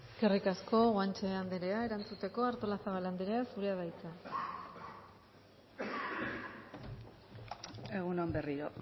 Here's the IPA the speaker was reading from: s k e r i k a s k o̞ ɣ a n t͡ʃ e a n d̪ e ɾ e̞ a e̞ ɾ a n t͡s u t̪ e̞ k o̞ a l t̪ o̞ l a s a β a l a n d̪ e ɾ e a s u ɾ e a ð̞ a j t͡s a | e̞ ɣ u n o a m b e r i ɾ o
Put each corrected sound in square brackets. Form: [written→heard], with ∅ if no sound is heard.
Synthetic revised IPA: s k e r i k a s k o̞ ɣ a n t͡ʃ e a n d̪ e ɾ e̞ a e̞ ɾ a n t͡s u t̪ e̞ k o̞ a [l→ɾ] t̪ o̞ l a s a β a l a n d̪ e ɾ e a s u ɾ e a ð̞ a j t͡s a | e̞ ɣ u n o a m b e r i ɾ o